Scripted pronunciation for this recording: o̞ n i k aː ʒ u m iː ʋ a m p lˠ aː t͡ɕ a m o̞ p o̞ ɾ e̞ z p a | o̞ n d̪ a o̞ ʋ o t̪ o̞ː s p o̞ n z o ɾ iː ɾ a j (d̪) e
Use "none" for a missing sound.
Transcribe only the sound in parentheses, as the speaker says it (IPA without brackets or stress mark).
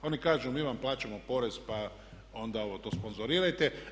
t̪